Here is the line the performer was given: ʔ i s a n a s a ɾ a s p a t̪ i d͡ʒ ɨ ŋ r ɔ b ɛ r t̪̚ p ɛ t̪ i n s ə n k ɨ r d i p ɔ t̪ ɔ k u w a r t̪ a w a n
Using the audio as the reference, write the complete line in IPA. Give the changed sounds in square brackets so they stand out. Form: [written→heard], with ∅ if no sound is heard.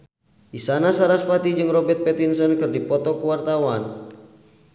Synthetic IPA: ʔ i s a n a s a ɾ a s p a t̪ i d͡ʒ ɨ ŋ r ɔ b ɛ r t̪̚ p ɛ t̪ i n s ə n k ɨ r d i p ɔ t̪ ɔ k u w a r t̪ a w a n

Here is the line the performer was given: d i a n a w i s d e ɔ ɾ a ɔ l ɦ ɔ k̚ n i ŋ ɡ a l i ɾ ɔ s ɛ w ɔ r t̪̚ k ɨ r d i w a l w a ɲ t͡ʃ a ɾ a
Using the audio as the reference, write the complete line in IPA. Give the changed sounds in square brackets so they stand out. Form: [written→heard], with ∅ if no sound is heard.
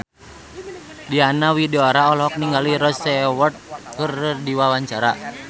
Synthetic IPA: d i a n a w i [s→∅] d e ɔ ɾ a ɔ l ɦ ɔ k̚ n i ŋ ɡ a l i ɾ ɔ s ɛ w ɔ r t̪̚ k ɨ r d i w a [l→∅] w a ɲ t͡ʃ a ɾ a

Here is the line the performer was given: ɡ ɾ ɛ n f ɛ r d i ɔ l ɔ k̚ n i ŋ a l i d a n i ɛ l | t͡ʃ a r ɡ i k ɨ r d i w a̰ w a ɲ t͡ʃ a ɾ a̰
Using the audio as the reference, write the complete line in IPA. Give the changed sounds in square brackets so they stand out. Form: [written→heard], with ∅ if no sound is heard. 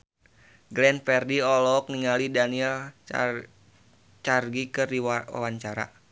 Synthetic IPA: ɡ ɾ ɛ n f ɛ r d i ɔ l ɔ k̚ n i ŋ a l i d a n i ɛ l | t͡ʃ a r ɡ i k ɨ r d i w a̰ w a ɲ t͡ʃ a ɾ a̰

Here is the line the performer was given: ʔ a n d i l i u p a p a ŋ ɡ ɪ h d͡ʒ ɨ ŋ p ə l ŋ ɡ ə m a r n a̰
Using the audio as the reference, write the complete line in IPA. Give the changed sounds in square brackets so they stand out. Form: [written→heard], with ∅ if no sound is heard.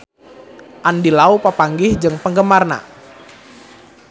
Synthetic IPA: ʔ a n d i l [i→a] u p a p a ŋ ɡ ɪ h d͡ʒ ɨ ŋ p ə [l→∅] ŋ ɡ ə m a r n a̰

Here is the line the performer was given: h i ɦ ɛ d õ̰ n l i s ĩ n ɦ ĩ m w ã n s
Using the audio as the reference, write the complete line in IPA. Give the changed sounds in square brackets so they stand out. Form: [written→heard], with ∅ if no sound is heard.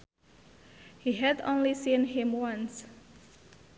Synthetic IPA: h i ɦ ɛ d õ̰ n l i s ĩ n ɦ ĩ m w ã n s

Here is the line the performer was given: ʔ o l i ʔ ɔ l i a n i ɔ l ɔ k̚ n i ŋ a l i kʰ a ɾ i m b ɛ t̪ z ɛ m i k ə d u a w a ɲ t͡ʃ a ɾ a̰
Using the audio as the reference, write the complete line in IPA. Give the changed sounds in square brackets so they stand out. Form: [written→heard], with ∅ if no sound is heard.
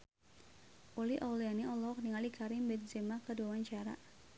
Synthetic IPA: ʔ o l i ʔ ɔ l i a n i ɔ l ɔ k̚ n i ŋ a l i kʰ a ɾ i m b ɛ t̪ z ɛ m [i→a] k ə d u a w a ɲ t͡ʃ a ɾ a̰

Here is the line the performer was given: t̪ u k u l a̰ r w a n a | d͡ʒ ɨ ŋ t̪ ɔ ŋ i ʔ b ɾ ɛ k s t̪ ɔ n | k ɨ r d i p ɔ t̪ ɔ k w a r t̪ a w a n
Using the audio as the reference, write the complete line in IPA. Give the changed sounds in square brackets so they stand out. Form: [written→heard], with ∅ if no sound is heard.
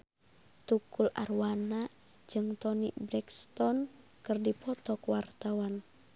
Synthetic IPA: t̪ u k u l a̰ r w a n a | d͡ʒ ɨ ŋ t̪ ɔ [ŋ→n] i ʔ b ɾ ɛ k s t̪ ɔ n | k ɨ r d i p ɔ t̪ ɔ k w a r t̪ a w a n

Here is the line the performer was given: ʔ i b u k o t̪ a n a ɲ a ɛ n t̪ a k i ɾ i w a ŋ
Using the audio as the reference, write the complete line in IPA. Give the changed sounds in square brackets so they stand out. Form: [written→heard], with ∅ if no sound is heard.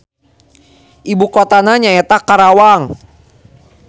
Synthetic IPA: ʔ i b u k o t̪ a n a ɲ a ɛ [n→∅] t̪ a k [i→a] ɾ [i→a] w a ŋ

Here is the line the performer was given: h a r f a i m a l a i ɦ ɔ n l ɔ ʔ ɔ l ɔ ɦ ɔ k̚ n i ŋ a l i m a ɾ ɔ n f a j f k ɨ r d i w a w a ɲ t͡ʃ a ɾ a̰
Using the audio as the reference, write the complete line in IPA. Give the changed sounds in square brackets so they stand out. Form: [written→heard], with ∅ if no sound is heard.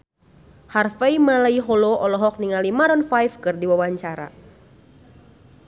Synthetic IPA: h a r f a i m a l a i ɦ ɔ [n→∅] l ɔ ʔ ɔ l ɔ ɦ ɔ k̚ n i ŋ a l i m a ɾ ɔ n f a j f k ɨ r d i w a w a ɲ t͡ʃ a ɾ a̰

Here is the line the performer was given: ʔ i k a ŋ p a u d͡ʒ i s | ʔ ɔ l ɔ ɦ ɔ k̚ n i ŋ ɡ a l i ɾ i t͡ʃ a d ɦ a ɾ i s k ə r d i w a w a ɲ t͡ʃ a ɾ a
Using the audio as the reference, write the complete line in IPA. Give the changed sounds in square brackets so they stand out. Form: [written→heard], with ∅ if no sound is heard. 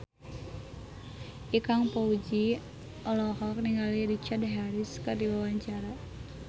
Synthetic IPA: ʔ i k a ŋ p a u d͡ʒ i [s→∅] | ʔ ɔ l ɔ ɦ ɔ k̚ n i ŋ ɡ a l i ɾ i t͡ʃ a d ɦ a ɾ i s k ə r d i w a w a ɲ t͡ʃ a ɾ a

